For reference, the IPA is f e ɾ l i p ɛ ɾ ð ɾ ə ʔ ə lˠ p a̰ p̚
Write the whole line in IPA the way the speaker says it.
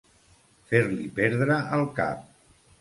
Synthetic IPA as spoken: f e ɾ l i p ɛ ɾ ð ɾ ə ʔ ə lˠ k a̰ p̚